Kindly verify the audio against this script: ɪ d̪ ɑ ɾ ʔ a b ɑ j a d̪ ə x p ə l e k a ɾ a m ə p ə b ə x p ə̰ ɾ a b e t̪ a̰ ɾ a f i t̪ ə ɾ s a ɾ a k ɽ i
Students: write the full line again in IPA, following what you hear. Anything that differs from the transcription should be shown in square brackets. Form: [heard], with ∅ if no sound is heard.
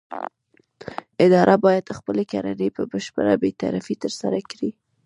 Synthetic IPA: ɪ d̪ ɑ ɾ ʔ a b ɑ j a d̪ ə x p ə l e k a ɾ a [n] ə p ə b ə [ʃ] p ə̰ ɾ a b e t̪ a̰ ɾ a f i t̪ ə ɾ s a ɾ a k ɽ i